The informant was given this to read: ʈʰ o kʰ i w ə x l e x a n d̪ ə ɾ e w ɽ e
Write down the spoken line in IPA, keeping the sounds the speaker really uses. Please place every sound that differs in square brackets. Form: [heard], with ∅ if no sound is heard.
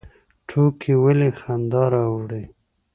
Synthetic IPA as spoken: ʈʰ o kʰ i w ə [∅] l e x a n d̪ [ɑ] ɾ [a] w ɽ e